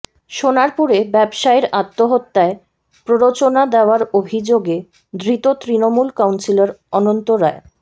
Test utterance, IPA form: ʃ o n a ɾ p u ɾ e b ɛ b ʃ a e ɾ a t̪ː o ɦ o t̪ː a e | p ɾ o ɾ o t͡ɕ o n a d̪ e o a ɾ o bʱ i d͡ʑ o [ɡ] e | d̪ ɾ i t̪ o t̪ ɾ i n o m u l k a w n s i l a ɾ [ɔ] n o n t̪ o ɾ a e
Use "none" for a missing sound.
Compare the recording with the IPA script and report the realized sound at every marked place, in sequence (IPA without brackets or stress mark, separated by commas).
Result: ɡ, ɔ